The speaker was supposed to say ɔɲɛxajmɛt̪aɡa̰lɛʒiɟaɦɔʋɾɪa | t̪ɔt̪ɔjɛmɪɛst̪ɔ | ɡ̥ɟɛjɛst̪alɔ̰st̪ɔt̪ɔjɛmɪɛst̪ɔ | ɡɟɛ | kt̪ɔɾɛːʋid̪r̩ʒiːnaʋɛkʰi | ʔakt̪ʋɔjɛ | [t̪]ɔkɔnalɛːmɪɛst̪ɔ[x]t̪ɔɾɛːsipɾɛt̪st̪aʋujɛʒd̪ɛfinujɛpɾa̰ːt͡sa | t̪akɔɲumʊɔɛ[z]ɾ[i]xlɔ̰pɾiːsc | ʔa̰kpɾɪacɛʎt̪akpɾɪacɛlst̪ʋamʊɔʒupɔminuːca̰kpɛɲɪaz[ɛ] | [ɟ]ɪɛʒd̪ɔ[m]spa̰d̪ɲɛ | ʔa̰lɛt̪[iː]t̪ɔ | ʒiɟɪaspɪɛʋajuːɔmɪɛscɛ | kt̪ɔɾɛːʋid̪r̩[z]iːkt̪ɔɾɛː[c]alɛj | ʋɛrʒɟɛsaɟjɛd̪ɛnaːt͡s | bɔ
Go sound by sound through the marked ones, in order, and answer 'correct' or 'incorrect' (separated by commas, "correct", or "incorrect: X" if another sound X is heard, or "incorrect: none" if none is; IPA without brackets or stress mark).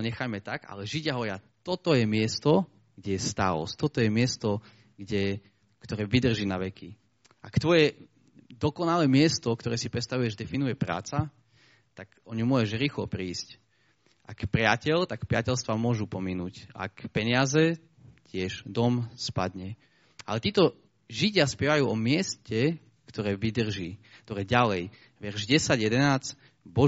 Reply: incorrect: d̪, incorrect: k, incorrect: ʒ, incorrect: iː, correct, incorrect: c, correct, correct, incorrect: ʒ, incorrect: ɟ